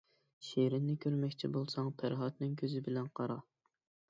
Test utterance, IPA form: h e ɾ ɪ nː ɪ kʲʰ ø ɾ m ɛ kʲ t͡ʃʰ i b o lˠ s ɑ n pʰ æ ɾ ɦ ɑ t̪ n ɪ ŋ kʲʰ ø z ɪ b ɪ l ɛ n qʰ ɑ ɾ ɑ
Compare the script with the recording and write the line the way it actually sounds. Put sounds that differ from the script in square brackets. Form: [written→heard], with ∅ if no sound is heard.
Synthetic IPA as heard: [h→ʃ] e ɾ ɪ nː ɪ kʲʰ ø ɾ m ɛ kʲ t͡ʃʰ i b o lˠ s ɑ [n→ŋ] pʰ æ ɾ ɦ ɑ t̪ n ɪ ŋ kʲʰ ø z ɪ b ɪ l ɛ n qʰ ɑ ɾ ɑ

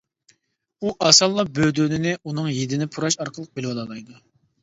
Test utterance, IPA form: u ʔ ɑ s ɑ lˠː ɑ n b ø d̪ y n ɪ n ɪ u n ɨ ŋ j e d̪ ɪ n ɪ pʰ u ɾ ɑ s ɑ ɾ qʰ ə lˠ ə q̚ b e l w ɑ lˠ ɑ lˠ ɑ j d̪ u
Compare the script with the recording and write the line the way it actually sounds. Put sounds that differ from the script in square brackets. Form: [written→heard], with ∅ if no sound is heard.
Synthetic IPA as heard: u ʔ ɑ s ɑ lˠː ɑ [n→∅] b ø d̪ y n ɪ n ɪ u n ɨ ŋ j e d̪ ɪ n ɪ pʰ u ɾ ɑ [s→ʃ] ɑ ɾ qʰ ə lˠ ə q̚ b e l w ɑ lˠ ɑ lˠ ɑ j d̪ u

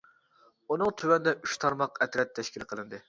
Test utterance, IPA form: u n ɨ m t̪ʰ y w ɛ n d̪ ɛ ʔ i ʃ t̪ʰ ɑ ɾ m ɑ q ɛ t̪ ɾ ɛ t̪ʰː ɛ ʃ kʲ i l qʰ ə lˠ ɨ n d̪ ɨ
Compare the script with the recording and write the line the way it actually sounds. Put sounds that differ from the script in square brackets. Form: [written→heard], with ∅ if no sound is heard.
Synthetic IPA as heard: u n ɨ [m→ŋ] t̪ʰ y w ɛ n d̪ ɛ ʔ [i→y] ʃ t̪ʰ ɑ ɾ m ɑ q ɛ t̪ ɾ ɛ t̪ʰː ɛ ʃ kʲ i l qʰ ə lˠ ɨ n d̪ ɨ

